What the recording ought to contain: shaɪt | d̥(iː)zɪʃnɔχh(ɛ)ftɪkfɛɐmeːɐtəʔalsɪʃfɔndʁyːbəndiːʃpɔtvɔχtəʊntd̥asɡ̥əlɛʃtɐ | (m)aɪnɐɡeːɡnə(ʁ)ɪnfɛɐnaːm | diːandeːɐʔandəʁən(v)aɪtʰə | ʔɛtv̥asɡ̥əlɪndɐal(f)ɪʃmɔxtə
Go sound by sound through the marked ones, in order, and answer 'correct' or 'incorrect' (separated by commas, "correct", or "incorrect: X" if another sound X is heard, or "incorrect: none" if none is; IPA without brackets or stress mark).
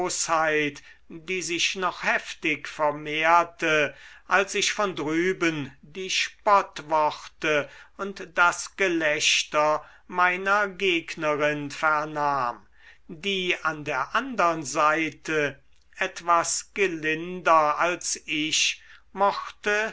correct, correct, correct, correct, incorrect: z, incorrect: s